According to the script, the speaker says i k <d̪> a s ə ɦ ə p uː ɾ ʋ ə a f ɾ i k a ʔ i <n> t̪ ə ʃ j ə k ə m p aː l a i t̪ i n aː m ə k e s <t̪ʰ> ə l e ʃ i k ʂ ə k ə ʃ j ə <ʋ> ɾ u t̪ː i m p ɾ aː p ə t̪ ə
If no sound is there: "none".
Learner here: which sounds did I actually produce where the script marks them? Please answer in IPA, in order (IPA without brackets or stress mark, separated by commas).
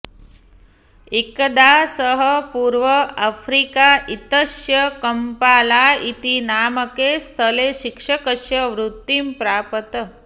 d̪, none, t̪ʰ, ʋ